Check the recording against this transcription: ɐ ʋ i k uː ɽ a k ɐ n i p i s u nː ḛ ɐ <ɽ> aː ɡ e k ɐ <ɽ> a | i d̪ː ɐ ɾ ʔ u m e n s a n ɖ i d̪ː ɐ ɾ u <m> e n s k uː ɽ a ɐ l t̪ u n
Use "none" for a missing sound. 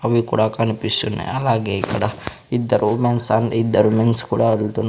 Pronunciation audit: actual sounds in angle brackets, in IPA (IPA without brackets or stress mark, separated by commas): l, ɽ, m